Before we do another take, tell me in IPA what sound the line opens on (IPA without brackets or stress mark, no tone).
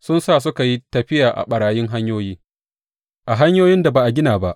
s